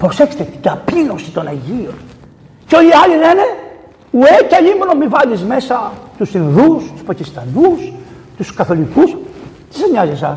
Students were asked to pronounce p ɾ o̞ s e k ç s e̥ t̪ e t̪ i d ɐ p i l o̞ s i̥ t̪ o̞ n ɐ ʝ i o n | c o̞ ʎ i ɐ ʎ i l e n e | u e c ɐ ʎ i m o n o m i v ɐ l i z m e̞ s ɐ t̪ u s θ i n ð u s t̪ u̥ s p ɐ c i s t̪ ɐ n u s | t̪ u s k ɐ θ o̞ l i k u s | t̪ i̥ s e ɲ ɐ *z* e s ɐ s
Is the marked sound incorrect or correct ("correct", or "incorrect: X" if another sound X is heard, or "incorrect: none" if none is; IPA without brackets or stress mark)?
correct